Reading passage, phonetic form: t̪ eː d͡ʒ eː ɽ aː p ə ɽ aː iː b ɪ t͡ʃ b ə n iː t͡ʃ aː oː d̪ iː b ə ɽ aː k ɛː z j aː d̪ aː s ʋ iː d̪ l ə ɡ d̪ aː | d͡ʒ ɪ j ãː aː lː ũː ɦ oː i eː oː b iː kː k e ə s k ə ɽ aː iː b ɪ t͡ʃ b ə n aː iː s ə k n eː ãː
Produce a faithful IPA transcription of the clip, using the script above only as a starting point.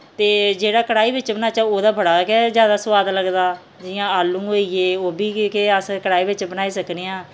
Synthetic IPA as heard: t̪ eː d͡ʒ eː ɽ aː k ə ɽ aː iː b ɪ t͡ʃ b ə n aː t͡ʃ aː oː d̪ aː b ə ɽ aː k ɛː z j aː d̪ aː s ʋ aː d̪ l ə ɡ d̪ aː | d͡ʒ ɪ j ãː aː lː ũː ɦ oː i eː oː b iː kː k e ə s k ə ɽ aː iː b ɪ t͡ʃ b ə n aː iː s ə k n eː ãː